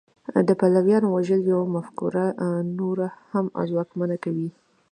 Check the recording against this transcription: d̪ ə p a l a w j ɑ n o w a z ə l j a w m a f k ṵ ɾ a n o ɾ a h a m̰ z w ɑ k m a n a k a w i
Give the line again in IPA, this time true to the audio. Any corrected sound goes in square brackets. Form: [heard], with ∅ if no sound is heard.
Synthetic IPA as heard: d̪ ə p a l a w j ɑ n o w a [ʒ] ə l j a w m a f k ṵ ɾ a n o ɾ a h a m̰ z w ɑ k m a n a k a w i